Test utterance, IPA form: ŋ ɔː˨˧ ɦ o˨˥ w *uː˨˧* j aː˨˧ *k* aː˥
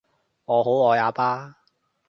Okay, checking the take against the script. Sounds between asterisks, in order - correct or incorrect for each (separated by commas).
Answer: incorrect, incorrect